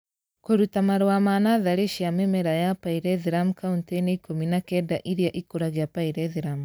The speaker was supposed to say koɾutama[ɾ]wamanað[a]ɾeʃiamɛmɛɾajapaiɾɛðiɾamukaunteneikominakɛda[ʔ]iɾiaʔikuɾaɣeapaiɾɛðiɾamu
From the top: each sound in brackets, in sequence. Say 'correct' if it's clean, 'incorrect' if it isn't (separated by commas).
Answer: correct, correct, correct